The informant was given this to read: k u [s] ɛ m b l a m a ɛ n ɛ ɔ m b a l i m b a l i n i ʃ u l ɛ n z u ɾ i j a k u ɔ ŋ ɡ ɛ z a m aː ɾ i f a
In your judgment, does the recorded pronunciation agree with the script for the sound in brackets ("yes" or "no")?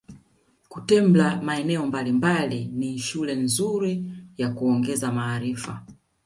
no